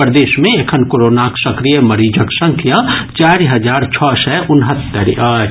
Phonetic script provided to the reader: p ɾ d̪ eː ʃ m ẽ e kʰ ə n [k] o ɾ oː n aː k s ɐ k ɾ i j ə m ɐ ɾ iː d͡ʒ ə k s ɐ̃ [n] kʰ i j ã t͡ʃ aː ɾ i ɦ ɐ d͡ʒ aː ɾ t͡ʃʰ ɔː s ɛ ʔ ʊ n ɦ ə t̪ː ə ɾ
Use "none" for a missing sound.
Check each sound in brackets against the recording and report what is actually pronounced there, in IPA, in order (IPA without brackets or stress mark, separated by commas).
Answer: k, ŋ